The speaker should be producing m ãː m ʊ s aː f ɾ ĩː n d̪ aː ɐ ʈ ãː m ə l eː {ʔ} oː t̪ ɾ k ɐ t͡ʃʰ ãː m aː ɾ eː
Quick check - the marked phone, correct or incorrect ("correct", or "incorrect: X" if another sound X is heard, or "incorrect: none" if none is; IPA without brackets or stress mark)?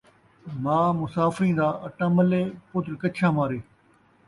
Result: incorrect: p